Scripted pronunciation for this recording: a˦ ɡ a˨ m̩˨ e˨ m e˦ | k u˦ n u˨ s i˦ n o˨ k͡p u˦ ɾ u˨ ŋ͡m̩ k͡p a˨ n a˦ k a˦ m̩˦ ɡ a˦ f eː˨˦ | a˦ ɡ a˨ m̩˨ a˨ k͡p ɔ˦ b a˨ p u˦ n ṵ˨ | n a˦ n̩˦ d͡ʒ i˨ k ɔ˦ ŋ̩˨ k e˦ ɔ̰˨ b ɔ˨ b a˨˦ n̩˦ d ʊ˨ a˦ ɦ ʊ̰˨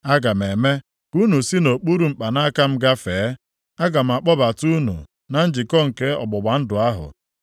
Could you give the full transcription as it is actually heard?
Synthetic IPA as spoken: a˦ ɡ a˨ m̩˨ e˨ m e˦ | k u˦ n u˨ s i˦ n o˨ k͡p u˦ ɾ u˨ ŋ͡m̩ k͡p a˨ n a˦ k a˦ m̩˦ ɡ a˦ f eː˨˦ | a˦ ɡ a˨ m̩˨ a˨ k͡p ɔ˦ b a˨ t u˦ n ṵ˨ | n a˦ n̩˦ d͡ʒ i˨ k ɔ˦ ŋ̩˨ k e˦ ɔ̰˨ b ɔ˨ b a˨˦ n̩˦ d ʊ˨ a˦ ɦ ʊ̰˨